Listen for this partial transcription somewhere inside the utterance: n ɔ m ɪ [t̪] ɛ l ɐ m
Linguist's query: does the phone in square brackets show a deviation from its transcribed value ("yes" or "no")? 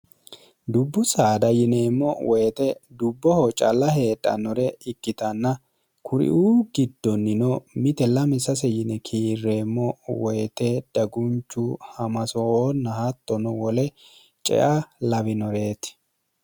no